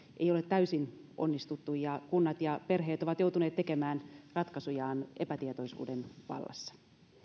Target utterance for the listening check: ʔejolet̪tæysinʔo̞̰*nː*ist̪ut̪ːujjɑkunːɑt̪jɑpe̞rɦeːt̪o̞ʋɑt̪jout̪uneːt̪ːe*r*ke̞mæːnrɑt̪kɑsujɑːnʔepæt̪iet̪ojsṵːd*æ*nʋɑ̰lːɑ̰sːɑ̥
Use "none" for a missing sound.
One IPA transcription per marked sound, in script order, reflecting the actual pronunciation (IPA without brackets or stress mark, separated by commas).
nː, none, e